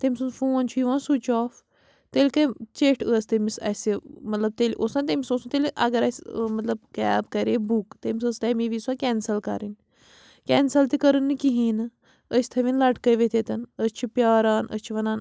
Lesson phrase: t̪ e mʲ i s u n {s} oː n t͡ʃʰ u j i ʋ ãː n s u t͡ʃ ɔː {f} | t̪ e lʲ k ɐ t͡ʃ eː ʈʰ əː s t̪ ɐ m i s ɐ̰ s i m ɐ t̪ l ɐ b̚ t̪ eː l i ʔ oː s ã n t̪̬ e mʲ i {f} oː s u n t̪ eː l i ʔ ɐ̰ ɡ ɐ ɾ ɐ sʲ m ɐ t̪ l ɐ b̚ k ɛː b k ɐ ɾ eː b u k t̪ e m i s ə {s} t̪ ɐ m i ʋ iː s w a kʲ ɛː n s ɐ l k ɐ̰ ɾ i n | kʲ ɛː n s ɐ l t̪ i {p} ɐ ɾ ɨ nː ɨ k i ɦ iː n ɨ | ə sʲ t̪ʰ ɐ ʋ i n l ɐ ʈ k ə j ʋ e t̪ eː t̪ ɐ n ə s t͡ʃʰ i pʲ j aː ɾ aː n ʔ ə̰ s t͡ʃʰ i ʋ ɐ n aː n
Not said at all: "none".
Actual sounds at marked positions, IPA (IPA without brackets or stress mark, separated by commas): f, f, s, s, k